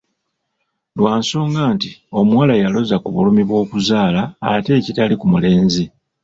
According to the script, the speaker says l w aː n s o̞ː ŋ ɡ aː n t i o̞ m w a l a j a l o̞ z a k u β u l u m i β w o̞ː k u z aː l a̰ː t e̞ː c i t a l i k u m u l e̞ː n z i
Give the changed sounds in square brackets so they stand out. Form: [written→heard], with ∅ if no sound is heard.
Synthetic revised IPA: l w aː n s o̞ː ŋ ɡ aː n t i o̞ m w a l a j a l o̞ z a k u β u l u m i β w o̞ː k u z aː l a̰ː t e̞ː c i t a l i k u m u l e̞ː n z i